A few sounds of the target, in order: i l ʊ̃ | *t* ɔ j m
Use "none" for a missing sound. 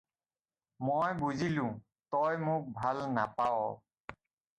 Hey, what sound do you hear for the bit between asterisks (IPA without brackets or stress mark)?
t